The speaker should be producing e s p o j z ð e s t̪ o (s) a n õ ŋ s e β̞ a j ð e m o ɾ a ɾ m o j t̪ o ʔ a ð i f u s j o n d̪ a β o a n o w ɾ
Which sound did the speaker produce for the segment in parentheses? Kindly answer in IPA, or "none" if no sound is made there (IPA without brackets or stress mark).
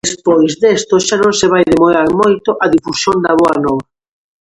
ʃ